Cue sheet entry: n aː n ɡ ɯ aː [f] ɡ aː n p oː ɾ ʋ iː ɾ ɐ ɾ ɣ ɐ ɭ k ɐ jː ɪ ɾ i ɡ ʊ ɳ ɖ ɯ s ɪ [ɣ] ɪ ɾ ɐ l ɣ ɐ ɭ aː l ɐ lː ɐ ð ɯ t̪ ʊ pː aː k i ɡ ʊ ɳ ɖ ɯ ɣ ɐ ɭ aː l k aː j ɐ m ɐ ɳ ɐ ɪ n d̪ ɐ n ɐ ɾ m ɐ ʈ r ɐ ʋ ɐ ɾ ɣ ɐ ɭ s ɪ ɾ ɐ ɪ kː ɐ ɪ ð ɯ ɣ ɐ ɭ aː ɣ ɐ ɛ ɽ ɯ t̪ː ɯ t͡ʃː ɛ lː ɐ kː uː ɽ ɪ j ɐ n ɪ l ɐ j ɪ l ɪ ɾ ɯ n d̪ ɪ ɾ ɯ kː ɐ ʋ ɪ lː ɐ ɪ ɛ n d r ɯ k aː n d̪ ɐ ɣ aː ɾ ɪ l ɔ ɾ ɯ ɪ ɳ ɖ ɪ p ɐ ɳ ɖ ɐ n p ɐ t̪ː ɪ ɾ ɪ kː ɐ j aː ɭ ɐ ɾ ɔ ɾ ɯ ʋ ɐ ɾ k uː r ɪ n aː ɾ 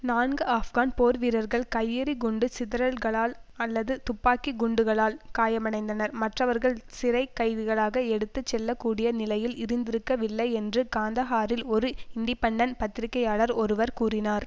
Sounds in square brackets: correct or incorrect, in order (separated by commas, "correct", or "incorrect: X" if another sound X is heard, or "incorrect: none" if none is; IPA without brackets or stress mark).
correct, incorrect: ð